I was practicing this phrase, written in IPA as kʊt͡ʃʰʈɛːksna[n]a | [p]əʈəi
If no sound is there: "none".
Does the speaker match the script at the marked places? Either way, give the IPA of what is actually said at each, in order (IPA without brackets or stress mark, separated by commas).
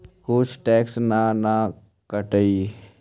n, k